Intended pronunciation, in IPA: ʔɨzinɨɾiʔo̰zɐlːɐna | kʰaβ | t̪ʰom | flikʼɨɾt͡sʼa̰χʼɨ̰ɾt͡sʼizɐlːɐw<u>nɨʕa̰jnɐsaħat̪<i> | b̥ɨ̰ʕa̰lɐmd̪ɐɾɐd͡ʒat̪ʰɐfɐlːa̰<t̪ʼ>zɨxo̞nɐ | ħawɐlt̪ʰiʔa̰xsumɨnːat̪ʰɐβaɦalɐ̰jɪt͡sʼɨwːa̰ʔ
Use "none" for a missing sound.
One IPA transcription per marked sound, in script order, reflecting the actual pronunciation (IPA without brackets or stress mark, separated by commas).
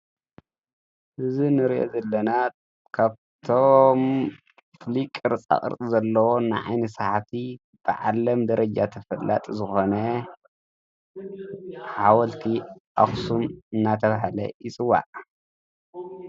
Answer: o, i, t̪ʼ